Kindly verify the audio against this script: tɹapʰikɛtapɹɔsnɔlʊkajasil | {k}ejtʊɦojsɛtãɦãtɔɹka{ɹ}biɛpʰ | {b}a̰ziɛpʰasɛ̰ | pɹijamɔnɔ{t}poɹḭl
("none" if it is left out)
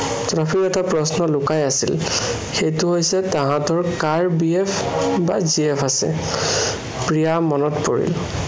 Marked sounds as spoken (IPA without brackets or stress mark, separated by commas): x, ɹ, b, t